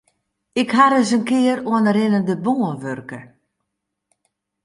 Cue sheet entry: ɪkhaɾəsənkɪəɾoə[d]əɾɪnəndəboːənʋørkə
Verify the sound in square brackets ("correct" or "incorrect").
incorrect